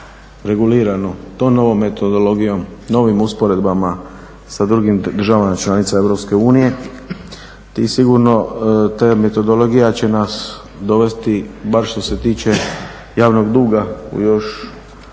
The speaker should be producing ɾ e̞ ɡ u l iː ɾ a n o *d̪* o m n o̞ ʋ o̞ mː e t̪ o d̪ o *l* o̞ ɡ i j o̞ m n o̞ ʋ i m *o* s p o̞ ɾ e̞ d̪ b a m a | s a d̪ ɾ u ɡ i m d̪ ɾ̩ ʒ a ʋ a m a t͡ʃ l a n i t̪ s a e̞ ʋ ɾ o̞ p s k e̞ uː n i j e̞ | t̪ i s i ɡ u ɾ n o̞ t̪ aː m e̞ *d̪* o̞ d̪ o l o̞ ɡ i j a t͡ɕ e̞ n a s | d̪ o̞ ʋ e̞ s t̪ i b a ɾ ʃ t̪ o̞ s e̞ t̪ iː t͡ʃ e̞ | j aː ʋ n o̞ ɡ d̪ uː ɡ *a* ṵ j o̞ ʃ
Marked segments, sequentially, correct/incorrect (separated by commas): incorrect, correct, incorrect, incorrect, correct